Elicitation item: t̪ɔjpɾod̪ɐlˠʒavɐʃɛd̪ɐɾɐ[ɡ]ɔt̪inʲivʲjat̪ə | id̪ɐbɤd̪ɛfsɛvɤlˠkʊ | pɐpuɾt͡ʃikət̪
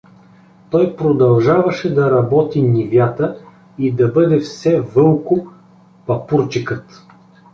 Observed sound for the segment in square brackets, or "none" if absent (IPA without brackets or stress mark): b